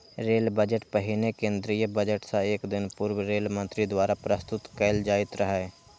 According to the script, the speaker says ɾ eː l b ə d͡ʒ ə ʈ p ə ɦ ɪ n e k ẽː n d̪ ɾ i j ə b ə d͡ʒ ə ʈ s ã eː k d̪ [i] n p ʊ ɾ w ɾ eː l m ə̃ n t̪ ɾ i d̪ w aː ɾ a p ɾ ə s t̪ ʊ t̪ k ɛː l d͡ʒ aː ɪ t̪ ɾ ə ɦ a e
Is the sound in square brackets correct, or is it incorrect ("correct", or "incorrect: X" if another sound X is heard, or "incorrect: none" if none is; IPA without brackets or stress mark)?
incorrect: ɪ